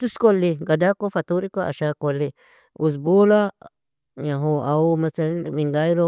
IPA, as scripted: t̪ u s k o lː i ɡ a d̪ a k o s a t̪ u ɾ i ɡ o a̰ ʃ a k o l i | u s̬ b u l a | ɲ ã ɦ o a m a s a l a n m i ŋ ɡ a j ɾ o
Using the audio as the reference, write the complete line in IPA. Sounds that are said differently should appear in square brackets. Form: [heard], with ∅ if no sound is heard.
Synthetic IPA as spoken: t̪ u s k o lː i ɡ a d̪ a k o [f] a t̪ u ɾ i [k] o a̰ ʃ a k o l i | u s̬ b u l a | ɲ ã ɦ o a m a s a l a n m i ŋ ɡ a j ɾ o